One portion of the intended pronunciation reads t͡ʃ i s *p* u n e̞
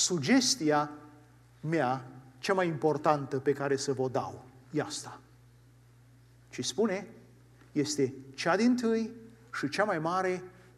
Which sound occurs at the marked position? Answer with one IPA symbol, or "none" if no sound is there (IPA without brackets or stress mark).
p